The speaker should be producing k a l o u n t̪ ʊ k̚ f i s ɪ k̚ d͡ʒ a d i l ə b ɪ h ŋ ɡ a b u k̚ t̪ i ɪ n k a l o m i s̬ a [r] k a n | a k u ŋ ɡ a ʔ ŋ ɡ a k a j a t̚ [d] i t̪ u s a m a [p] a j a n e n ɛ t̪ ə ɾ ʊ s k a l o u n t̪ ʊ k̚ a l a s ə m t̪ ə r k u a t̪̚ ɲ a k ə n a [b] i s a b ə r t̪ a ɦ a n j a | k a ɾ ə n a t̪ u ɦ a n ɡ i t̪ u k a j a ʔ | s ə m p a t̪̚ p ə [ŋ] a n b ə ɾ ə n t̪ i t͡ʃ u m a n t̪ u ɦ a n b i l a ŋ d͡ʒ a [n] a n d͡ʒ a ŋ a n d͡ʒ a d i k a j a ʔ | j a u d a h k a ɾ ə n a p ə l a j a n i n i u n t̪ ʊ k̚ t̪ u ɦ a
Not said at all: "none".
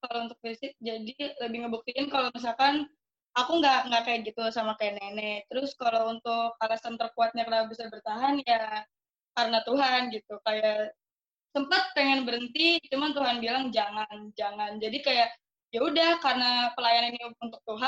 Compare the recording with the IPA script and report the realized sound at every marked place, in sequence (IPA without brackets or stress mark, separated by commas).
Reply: l, ɡ, k, b, ŋ, ŋ